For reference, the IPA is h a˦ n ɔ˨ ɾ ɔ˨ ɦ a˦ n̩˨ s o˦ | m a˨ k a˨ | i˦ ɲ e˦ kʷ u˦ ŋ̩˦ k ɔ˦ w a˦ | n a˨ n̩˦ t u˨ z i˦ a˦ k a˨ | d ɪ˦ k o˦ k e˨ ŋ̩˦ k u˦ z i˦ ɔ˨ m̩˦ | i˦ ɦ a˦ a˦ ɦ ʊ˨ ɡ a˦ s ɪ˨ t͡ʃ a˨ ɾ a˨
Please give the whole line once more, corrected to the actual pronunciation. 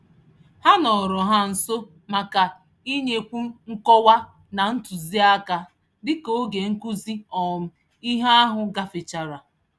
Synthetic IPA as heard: h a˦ n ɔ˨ ɾ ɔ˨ ɦ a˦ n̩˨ s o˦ | m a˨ k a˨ | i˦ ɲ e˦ kʷ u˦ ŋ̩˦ k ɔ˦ w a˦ | n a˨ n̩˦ t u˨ z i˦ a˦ k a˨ | d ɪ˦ k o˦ ɡ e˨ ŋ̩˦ k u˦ z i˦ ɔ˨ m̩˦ | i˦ ɦ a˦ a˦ ɦ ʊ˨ ɡ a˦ f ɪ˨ t͡ʃ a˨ ɾ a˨